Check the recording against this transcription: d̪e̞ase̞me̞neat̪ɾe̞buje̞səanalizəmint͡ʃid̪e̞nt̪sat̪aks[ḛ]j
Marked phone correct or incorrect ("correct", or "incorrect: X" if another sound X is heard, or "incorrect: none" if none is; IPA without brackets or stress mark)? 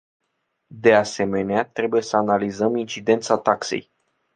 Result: correct